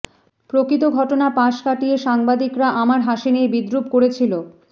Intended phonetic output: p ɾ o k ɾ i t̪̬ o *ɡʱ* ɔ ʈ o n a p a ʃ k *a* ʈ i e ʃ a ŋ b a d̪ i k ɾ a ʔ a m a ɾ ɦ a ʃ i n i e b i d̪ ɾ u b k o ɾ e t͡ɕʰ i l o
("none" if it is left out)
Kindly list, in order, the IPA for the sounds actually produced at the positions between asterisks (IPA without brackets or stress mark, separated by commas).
ɡʱ, a